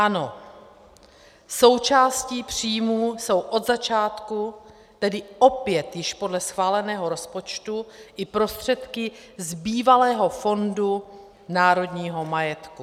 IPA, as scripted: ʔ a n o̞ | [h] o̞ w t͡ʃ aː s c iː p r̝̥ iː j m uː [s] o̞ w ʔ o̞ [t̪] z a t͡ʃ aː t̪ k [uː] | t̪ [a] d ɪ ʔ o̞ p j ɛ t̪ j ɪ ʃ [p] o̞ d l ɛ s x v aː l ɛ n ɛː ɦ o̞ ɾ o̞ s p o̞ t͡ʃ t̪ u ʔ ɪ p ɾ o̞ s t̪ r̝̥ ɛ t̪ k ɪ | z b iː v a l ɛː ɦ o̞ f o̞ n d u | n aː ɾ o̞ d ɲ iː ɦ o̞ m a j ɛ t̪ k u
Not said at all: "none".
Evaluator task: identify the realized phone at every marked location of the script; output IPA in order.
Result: s, s, d̪, u, ɛ, p

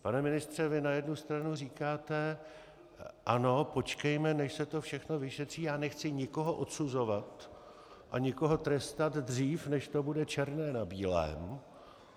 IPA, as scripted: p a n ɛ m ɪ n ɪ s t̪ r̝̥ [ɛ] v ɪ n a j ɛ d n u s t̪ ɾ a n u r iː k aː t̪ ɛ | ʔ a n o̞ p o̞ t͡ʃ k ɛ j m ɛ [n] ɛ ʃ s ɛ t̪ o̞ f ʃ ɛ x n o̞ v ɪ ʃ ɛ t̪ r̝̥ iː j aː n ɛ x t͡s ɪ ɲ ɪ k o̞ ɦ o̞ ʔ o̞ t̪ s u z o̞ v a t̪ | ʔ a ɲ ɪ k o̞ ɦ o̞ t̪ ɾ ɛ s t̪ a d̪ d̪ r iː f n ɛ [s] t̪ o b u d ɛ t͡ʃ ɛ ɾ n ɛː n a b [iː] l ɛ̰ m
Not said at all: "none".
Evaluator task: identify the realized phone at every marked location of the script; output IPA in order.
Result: ɛ, n, ʃ, iː

